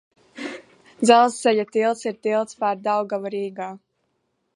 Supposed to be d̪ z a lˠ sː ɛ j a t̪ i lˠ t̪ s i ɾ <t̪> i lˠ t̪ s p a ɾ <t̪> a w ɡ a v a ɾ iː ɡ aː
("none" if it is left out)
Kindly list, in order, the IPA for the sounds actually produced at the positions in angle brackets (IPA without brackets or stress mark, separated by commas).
t̪, d̪